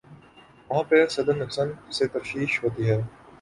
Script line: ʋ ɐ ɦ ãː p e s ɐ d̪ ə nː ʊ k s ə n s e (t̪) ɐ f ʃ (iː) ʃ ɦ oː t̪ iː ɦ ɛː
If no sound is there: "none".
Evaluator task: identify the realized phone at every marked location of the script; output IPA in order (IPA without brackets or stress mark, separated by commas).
t̪, iː